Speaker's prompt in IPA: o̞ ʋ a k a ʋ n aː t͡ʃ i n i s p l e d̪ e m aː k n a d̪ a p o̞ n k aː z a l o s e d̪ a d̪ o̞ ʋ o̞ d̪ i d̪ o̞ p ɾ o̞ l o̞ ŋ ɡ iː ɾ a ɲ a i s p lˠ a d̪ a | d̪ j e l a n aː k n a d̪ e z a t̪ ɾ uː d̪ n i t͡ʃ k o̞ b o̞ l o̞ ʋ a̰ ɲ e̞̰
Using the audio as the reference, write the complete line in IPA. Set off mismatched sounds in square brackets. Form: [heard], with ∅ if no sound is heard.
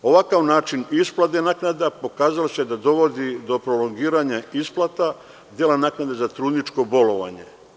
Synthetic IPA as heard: o̞ ʋ a k a ʋ n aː t͡ʃ i n i s p l [a] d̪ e [n] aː k n a d̪ a p o̞ [∅] k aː z a l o s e d̪ a d̪ o̞ ʋ o̞ d̪ i d̪ o̞ p ɾ o̞ l o̞ ŋ ɡ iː ɾ a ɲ a i s p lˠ a [t̪] a | d̪ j e l a n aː k n a d̪ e z a t̪ ɾ uː d̪ n i t͡ʃ k o̞ b o̞ l o̞ ʋ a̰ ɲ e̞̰

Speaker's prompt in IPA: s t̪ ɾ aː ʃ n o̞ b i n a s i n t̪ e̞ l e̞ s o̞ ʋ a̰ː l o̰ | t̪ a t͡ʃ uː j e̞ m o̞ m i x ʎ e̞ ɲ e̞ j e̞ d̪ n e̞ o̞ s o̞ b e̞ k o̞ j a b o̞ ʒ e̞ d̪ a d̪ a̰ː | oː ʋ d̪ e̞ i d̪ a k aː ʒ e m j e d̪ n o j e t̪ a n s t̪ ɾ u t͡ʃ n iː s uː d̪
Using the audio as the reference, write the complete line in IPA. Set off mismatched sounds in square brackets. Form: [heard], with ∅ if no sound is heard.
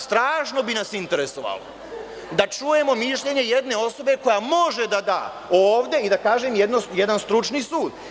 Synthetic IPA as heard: s t̪ ɾ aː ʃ n o̞ b i n a s i n t̪ e̞ [ɾ] e̞ s o̞ ʋ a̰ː l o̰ | [d̪] a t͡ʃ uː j e̞ m o̞ m i [ʃ] ʎ e̞ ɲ e̞ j e̞ d̪ n e̞ o̞ s o̞ b e̞ k o̞ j a [m] o̞ ʒ e̞ d̪ a d̪ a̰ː | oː ʋ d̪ e̞ i d̪ a k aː ʒ e m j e d̪ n o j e [d̪] a n s t̪ ɾ u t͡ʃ n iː s uː d̪

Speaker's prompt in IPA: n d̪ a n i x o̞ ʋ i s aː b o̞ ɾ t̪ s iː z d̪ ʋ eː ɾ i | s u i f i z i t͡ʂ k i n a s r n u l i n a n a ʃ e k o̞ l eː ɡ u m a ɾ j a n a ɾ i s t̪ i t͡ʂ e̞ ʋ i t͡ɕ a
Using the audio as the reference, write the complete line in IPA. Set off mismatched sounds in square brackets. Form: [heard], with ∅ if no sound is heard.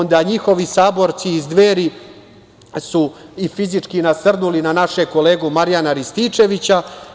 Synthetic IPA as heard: n d̪ a [ɲ] i x o̞ ʋ i s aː b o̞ ɾ t̪ s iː z d̪ ʋ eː ɾ i | s u i f i z i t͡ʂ k i n a s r n u l i n a n a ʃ e k o̞ l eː ɡ u m a ɾ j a n a ɾ i s t̪ i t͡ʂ e̞ ʋ i t͡ɕ a

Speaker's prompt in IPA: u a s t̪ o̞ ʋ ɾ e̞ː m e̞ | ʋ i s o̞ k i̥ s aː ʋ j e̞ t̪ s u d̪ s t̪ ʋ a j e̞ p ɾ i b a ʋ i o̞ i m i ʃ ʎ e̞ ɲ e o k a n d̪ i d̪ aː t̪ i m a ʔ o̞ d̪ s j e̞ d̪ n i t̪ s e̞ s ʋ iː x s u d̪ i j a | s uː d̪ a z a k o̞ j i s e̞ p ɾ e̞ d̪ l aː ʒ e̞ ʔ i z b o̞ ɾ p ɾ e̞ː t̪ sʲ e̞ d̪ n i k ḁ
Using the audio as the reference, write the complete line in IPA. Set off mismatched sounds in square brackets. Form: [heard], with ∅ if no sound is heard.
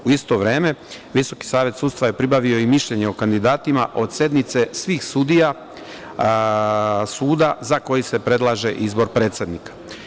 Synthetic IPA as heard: u [i] s t̪ o̞ ʋ ɾ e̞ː m e̞ | ʋ i s o̞ k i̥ s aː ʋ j e̞ t̪ s u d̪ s t̪ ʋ a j e̞ p ɾ i b a ʋ i o̞ i m i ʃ ʎ e̞ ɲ e o k a n d̪ i d̪ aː t̪ i m a ʔ o̞ d̪ s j e̞ d̪ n i t̪ s e̞ s ʋ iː x s u d̪ i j a | s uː d̪ a z a k o̞ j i s e̞ p ɾ e̞ d̪ l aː ʒ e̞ ʔ i z b o̞ ɾ p ɾ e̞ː t̪ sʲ e̞ d̪ n i k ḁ

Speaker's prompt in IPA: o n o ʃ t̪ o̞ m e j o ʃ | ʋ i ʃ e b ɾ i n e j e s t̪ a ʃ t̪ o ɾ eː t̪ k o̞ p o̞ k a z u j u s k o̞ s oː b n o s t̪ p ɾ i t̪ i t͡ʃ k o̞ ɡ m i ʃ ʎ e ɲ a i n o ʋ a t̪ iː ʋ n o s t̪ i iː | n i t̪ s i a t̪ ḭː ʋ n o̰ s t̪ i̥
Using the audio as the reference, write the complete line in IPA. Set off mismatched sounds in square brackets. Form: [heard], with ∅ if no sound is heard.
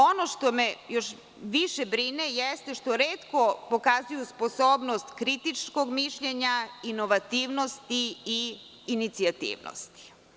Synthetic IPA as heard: o n o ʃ t̪ o̞ m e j o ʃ | ʋ i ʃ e b ɾ i n e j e s t̪ [e] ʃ t̪ o ɾ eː t̪ k o̞ p o̞ k a z u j u s [p] o̞ s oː b n o s t̪ [k] ɾ i t̪ i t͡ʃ k o̞ ɡ m i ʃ ʎ e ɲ a i n o ʋ a t̪ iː ʋ n o s t̪ i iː | n i t̪ s i a t̪ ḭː ʋ n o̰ s t̪ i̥

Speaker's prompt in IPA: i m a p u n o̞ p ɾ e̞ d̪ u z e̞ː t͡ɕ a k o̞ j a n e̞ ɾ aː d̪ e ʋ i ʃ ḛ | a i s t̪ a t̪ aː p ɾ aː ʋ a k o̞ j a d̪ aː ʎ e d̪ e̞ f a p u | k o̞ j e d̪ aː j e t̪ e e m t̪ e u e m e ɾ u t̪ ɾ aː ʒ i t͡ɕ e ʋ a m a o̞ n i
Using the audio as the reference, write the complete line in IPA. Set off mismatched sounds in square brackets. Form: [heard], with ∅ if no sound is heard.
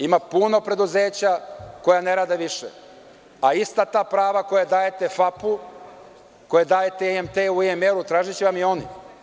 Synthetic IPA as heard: i m a p u n o̞ p ɾ e̞ d̪ u z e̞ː t͡ɕ a k o̞ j a n e̞ ɾ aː d̪ e ʋ i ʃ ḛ | a i s t̪ a t̪ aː p ɾ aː ʋ a k o̞ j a d̪ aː [j] e [t̪] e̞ f a p u | k o̞ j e d̪ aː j e t̪ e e m t̪ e u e m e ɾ u t̪ ɾ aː ʒ i t͡ɕ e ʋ a m [i] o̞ n i

